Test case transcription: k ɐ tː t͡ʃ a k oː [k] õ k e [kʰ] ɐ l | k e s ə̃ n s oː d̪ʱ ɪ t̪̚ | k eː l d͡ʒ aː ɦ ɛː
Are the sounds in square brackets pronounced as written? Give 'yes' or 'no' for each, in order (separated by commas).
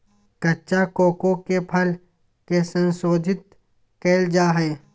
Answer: yes, no